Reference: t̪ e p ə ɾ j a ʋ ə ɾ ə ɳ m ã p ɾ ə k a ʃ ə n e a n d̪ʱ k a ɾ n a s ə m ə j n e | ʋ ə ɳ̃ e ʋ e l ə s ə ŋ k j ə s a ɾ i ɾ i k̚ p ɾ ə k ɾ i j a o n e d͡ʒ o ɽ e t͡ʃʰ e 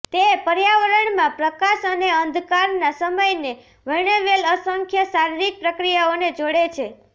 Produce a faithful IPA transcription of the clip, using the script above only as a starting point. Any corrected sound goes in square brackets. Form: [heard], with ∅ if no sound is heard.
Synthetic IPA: t̪ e p ə ɾ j a ʋ ə ɾ ə ɳ m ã p ɾ ə k a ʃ ə n e [ə] n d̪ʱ k a ɾ n a s ə m ə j n e | ʋ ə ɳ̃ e ʋ e l ə s ə ŋ [kʰ] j ə s a ɾ i ɾ i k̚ p ɾ ə k ɾ i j a o n e d͡ʒ o ɽ e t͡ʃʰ e